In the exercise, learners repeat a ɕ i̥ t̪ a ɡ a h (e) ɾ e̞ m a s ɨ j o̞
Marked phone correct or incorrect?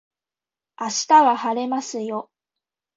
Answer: incorrect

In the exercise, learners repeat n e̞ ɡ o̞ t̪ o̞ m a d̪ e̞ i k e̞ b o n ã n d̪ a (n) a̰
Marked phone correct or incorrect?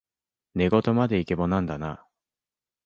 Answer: correct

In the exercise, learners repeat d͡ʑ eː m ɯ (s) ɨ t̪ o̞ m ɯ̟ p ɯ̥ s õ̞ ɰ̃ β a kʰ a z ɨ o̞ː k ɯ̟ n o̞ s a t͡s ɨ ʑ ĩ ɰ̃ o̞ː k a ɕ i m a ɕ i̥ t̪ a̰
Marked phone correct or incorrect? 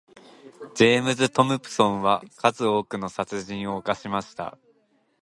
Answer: incorrect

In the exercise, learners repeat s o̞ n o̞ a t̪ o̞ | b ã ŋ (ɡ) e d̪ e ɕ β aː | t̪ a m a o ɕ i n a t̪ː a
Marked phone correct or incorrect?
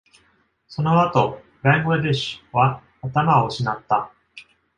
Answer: correct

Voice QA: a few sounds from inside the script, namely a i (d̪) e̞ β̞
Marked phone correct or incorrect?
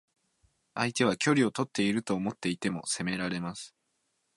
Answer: incorrect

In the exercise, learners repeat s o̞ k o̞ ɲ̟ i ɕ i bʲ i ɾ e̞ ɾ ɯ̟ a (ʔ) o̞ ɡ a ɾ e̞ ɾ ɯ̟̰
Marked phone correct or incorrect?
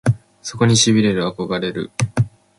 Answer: incorrect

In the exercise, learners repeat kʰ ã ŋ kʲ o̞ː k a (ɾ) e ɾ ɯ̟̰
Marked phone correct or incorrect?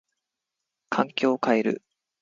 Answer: incorrect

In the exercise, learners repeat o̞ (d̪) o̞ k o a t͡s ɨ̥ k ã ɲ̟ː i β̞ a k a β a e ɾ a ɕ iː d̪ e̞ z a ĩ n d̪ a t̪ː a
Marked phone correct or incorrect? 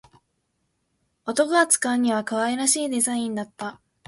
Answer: incorrect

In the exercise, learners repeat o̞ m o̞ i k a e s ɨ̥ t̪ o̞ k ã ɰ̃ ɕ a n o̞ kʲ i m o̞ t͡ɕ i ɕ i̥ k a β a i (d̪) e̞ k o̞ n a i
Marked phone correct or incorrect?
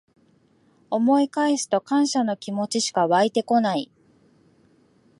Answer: incorrect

